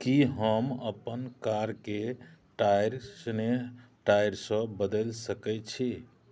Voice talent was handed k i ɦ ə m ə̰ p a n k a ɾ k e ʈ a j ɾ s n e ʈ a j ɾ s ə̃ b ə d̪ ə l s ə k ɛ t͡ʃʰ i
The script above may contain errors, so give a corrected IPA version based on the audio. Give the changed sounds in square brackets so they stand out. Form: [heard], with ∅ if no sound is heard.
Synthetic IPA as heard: k i ɦ ə m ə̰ p [ə] n k a ɾ k e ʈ a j ɾ s n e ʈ a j ɾ s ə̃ b ə d̪ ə l s ə k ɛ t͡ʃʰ i